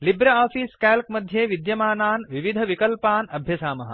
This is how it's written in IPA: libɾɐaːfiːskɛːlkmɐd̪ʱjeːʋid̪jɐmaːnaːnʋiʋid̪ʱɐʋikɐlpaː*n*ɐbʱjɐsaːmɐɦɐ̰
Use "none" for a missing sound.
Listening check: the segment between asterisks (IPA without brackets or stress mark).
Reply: n